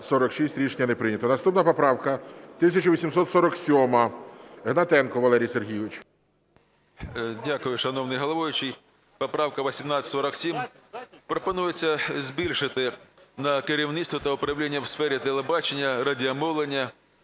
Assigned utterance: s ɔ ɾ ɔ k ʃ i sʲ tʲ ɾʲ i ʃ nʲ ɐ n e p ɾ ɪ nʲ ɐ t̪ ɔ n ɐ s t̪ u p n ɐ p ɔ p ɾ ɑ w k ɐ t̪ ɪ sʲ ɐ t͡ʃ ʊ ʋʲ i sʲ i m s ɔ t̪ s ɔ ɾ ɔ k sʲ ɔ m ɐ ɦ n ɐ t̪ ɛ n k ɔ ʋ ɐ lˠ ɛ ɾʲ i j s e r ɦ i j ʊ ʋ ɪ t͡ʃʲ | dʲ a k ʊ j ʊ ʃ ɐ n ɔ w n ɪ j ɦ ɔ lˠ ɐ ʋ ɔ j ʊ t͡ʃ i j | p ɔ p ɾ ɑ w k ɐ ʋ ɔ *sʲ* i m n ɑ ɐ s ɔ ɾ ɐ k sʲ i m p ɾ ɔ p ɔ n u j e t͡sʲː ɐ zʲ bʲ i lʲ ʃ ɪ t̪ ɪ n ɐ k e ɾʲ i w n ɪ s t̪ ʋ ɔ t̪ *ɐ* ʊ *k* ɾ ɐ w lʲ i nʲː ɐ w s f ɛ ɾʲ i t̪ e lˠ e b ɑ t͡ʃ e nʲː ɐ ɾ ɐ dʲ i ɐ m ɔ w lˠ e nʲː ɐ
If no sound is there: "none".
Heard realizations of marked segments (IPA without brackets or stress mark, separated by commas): sʲ, ɐ, p